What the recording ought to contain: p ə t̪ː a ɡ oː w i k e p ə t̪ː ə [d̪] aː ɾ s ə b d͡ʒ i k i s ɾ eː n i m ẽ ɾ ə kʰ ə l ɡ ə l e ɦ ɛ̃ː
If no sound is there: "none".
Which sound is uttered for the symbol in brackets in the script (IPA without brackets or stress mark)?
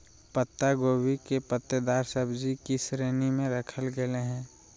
d̪